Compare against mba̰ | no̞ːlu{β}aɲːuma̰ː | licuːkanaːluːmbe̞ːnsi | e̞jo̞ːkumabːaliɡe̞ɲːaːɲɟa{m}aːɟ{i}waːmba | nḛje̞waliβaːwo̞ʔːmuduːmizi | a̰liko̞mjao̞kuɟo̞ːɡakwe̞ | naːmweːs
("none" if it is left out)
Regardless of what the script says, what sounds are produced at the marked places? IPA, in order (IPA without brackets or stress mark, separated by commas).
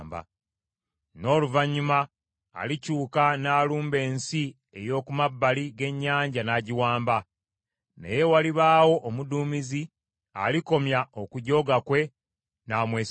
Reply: v, n, i